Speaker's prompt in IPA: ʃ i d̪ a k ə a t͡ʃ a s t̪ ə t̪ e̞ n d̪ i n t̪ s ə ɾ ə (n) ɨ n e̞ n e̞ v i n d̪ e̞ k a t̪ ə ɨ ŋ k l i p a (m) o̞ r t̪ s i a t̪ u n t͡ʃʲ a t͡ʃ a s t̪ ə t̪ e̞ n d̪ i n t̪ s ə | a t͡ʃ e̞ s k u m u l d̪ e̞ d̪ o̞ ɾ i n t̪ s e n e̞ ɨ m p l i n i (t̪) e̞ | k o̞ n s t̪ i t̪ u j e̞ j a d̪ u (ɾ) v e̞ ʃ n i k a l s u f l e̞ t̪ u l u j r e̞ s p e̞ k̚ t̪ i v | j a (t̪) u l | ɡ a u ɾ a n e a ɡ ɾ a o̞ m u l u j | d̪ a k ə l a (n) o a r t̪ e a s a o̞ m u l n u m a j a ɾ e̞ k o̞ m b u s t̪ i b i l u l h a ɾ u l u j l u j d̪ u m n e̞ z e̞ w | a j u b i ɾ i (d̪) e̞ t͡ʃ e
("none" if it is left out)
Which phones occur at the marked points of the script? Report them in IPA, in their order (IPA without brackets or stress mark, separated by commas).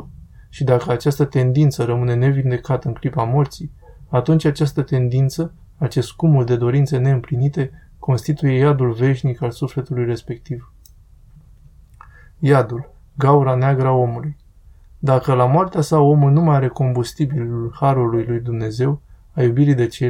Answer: m, m, t̪, l, d̪, m, d̪